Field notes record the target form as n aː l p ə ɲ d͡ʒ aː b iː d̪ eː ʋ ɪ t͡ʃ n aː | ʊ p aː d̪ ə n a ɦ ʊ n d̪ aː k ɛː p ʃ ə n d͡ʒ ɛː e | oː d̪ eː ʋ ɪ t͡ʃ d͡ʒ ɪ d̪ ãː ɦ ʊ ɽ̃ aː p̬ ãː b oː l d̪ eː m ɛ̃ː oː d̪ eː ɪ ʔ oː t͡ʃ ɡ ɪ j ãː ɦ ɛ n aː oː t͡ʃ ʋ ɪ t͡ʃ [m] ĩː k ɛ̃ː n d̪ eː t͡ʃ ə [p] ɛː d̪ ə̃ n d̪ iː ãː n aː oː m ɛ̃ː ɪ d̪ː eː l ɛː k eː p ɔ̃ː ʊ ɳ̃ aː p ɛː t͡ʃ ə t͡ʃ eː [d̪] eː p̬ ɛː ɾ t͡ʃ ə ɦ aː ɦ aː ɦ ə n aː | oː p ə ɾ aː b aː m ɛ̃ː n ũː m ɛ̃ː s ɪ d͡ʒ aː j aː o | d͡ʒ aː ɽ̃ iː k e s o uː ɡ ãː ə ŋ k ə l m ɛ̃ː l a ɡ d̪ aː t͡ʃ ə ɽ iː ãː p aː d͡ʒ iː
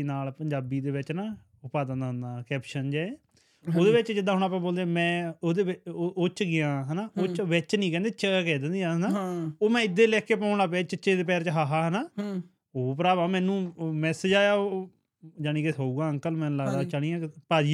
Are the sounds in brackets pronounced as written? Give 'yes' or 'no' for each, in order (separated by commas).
no, no, yes